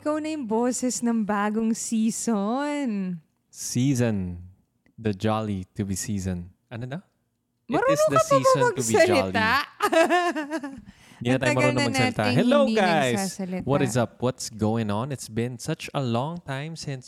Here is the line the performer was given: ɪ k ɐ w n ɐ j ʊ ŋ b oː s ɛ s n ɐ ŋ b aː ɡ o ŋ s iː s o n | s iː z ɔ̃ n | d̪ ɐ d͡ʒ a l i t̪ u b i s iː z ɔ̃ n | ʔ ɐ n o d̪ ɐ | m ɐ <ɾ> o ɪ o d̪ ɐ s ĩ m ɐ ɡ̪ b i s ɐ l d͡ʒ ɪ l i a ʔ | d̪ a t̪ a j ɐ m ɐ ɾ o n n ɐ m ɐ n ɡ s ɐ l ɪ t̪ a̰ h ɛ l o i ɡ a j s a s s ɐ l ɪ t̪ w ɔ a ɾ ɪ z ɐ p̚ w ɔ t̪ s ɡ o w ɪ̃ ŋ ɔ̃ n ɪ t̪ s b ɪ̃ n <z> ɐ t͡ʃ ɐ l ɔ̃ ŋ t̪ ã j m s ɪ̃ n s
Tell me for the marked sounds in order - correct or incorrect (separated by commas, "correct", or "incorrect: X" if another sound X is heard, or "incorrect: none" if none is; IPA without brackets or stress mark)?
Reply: correct, incorrect: s